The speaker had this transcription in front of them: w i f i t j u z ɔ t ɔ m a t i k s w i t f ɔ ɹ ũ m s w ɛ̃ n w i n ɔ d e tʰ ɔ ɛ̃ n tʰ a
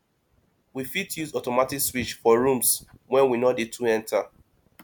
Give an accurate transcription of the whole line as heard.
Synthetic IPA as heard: w i f i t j u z ɔ t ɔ m a t i k s w i t͡ʃ f ɔ ɹ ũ m s w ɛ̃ n w i n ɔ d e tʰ u ɛ̃ n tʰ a